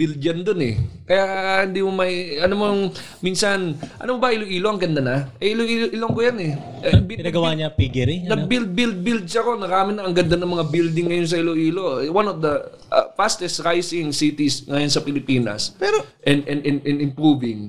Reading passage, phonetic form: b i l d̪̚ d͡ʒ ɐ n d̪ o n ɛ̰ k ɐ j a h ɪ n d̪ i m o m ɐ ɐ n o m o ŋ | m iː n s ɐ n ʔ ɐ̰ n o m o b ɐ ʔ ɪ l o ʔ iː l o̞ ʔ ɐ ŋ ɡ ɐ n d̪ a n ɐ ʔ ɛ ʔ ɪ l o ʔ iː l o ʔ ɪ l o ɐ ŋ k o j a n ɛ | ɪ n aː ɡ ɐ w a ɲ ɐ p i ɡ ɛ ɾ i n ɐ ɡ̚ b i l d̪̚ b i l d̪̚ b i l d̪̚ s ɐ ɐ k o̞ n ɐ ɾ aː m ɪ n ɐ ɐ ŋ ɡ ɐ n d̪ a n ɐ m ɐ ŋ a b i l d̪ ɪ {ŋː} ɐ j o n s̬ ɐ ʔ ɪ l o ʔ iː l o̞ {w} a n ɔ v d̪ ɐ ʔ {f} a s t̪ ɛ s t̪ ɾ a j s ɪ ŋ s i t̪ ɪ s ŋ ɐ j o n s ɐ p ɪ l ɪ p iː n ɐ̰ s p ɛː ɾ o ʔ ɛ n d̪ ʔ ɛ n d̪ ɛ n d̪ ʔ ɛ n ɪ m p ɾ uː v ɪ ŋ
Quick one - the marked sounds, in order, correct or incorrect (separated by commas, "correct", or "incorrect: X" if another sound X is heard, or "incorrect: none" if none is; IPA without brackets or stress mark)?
correct, correct, correct